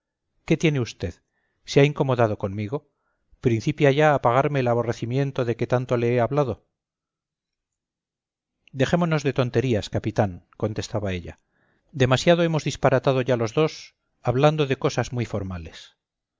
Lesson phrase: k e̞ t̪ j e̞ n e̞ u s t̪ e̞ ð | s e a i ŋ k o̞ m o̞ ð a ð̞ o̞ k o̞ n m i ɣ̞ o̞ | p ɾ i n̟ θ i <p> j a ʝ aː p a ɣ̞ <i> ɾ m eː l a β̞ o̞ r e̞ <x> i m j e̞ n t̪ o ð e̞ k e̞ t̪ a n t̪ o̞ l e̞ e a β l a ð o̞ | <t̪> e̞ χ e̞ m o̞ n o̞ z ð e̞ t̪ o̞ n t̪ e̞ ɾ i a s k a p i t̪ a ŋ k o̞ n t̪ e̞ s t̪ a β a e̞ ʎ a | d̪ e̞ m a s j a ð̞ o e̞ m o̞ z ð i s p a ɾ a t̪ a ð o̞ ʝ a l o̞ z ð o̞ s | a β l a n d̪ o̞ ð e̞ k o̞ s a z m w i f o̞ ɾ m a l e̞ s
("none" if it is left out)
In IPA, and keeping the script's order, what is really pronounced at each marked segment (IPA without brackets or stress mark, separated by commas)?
p, a, θ, d̪